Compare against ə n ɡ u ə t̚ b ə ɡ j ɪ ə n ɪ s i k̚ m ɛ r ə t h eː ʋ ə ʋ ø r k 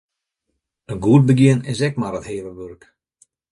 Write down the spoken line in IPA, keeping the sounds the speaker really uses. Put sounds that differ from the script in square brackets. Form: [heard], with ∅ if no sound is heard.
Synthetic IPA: ə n ɡ u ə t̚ b ə ɡ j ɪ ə n ɪ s [ɛ] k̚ m [a] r ə t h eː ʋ ə ʋ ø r k